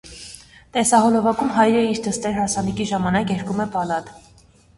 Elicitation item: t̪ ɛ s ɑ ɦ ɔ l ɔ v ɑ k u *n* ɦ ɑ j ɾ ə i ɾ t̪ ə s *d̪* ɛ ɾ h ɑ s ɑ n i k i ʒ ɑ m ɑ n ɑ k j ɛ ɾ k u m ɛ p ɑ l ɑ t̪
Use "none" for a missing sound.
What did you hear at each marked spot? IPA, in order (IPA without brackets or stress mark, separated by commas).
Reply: m, t̪